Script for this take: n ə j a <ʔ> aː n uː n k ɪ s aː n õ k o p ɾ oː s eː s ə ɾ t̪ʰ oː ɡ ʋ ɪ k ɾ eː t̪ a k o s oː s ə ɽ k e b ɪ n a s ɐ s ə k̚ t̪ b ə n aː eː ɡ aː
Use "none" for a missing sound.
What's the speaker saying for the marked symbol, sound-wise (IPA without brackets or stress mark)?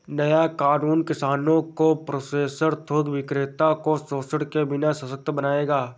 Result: k